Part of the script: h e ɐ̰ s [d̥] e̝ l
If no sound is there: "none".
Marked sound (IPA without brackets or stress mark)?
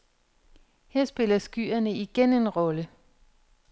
b̥